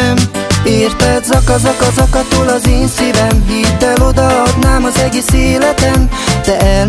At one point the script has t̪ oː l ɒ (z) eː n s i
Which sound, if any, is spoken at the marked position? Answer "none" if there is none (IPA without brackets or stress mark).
z